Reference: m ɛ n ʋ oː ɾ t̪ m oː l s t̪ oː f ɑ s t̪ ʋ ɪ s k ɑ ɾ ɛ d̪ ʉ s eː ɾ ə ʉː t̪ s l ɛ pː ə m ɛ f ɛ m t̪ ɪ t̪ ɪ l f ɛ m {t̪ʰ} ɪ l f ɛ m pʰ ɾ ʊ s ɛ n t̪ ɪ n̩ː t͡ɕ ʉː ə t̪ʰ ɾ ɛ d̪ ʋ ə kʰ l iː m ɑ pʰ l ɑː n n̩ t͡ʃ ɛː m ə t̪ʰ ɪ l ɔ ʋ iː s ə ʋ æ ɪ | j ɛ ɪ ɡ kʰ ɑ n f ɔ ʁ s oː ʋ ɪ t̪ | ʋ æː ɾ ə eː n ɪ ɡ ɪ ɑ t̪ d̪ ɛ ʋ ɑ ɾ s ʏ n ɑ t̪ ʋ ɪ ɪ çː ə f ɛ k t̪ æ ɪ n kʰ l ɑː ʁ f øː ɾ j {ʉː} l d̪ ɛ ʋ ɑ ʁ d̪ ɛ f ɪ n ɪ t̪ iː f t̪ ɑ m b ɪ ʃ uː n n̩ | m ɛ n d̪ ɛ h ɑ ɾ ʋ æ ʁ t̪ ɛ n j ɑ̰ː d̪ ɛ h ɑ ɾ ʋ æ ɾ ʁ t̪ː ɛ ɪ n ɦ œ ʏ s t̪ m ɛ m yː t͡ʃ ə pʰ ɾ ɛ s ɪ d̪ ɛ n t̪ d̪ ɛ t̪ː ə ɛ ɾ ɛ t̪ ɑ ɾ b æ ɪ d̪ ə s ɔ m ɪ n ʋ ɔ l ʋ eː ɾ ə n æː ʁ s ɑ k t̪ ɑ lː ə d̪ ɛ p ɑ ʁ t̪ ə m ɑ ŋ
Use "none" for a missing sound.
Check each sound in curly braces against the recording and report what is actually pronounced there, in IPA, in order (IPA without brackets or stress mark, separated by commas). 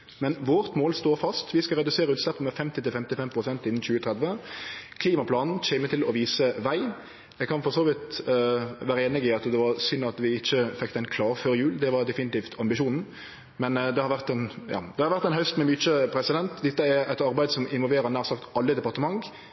t̪, ʉː